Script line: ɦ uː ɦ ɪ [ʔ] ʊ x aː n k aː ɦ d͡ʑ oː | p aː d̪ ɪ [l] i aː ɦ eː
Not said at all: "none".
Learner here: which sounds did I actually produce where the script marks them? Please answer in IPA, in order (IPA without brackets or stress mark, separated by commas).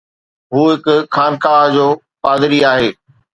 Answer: k, ɾ